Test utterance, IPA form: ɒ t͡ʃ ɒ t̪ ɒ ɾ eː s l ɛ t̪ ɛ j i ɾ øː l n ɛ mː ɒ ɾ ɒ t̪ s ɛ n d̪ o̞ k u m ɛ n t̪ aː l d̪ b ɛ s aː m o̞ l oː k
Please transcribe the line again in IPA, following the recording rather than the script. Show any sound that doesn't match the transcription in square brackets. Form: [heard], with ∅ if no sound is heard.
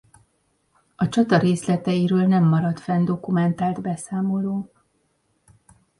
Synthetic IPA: ɒ t͡ʃ ɒ t̪ ɒ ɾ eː s l ɛ t̪ ɛ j i ɾ øː l n ɛ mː ɒ ɾ ɒ t̪ [f] ɛ n d̪ o̞ k u m ɛ n t̪ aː l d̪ b ɛ s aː m o̞ l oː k